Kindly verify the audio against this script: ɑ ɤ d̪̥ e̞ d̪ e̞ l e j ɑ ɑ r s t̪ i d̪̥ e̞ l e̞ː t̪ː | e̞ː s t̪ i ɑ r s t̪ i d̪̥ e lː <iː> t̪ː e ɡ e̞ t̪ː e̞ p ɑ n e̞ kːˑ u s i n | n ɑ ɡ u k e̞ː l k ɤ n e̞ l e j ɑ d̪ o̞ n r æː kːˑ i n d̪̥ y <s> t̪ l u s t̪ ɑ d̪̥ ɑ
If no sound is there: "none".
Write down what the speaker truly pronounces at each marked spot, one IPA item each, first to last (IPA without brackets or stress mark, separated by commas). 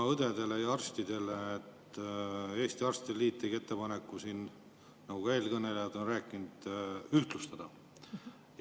iː, h